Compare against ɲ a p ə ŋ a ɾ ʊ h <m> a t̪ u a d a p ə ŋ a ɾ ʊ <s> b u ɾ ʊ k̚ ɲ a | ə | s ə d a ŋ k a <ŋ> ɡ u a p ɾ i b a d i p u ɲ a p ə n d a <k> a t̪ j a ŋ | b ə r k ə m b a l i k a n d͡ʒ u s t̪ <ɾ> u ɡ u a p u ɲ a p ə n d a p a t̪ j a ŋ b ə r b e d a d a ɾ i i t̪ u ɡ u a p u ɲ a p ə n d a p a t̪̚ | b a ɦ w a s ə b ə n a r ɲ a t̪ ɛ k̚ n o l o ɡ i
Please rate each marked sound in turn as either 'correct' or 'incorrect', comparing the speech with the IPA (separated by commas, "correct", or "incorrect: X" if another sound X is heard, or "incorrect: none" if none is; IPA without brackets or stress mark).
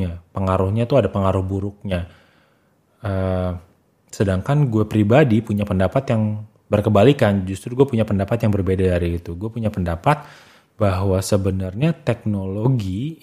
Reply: incorrect: ɲ, incorrect: h, incorrect: n, incorrect: p, correct